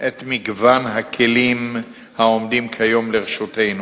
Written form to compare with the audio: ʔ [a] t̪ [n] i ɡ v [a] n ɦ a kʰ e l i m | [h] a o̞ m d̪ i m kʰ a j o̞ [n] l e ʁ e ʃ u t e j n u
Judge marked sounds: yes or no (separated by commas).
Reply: no, no, yes, yes, no